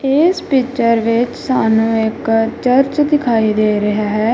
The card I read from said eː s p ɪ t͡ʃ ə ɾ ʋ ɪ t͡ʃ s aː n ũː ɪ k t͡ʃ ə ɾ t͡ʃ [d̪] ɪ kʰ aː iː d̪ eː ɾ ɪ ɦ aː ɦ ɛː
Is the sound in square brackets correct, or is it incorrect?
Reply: correct